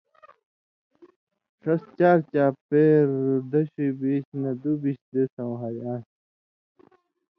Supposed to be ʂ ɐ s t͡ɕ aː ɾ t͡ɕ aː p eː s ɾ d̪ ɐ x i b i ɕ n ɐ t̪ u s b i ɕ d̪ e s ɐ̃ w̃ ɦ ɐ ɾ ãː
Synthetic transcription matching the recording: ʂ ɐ s t͡ɕ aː ɾ t͡ɕ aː p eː ɾ d̪ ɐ ɕ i b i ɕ n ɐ d̪ u b i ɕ d̪ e s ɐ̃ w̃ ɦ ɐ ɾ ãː